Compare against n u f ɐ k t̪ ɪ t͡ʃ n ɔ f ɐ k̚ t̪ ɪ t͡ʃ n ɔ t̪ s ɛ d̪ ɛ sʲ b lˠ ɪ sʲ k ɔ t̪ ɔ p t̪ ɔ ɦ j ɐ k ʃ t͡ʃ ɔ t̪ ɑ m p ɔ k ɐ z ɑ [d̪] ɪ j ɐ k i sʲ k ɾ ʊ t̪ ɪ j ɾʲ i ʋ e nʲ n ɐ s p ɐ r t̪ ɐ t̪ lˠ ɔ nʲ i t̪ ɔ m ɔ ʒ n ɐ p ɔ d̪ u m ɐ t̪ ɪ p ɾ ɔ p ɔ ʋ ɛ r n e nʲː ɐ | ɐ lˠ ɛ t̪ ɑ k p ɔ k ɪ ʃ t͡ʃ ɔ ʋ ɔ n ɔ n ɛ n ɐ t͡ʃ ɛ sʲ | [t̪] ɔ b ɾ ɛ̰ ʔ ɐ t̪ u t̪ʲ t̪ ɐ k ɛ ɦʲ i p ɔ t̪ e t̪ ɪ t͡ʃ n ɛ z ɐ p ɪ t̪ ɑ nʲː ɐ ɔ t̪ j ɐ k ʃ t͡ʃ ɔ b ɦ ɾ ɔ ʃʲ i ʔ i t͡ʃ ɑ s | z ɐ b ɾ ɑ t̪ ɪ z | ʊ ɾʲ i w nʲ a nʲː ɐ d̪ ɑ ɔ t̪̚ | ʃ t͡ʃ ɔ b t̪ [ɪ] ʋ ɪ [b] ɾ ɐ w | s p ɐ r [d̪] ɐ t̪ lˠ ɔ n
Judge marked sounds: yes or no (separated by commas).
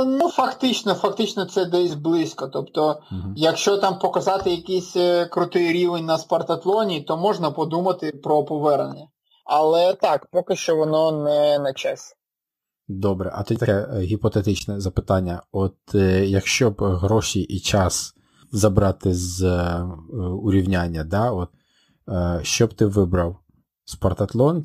no, no, yes, yes, no